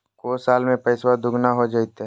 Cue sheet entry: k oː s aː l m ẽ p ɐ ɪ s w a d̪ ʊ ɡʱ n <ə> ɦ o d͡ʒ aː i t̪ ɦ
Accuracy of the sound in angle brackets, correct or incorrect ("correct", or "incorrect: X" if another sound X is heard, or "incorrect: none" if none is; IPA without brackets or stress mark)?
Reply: incorrect: a